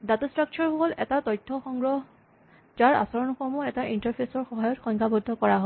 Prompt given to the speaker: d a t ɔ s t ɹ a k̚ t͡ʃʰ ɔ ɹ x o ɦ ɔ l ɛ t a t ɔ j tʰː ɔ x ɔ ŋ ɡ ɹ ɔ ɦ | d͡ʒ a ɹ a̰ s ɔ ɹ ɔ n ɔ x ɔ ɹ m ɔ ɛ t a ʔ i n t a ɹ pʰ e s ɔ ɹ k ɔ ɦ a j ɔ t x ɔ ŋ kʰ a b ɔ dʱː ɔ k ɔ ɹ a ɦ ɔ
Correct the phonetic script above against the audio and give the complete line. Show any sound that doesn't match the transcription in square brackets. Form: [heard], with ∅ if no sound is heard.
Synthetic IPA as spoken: d a t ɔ s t ɹ a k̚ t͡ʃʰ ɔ ɹ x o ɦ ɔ l ɛ t a t ɔ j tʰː ɔ x ɔ ŋ ɡ ɹ ɔ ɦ | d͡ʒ a ɹ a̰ s ɔ ɹ ɔ n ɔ x ɔ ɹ m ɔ ɛ t a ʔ i n t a ɹ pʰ e s ɔ ɹ [x] ɔ ɦ a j ɔ t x ɔ ŋ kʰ a b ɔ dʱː ɔ k ɔ ɹ a ɦ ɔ